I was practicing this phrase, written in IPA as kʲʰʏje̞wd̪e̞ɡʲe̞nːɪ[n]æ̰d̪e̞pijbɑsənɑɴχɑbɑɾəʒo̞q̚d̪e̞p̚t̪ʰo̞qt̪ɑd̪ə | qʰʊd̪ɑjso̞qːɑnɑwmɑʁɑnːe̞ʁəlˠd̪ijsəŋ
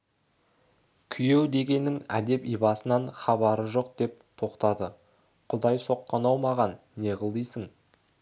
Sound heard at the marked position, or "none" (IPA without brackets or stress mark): ŋ